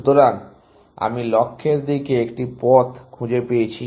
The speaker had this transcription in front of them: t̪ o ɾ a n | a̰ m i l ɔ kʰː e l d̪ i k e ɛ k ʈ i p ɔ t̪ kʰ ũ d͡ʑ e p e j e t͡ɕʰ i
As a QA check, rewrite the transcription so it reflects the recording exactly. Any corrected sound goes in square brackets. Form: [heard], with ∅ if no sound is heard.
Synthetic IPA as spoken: t̪ o ɾ a n | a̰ m i l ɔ kʰː e [ɾ] d̪ i k e [e] k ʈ i p ɔ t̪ kʰ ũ d͡ʑ e p e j e t͡ɕʰ i